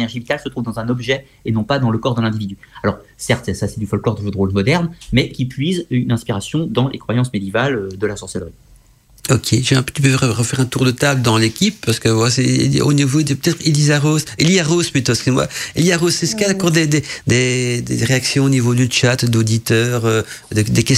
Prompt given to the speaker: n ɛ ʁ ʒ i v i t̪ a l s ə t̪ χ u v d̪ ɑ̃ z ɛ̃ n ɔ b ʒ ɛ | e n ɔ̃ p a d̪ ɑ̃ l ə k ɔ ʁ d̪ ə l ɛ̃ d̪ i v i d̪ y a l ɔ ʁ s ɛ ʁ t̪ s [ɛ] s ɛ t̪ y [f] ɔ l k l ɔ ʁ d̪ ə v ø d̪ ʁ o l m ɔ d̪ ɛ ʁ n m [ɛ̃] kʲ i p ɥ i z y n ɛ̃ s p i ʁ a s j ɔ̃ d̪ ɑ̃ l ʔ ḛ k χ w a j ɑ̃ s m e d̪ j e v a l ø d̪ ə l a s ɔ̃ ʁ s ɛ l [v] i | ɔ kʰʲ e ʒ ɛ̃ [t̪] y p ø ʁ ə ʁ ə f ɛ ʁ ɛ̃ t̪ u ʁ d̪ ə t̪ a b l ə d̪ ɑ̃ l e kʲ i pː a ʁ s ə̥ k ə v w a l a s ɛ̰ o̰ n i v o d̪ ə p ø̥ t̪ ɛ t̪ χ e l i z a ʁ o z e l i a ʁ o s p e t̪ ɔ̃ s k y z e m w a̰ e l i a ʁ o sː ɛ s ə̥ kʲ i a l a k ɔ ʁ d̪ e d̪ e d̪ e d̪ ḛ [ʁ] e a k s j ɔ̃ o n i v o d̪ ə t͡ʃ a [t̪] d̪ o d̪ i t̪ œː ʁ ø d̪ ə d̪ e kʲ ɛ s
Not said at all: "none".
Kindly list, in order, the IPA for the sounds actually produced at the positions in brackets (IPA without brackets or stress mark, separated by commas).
a, f, ɛ, ʁ, t̪, ʁ, t̪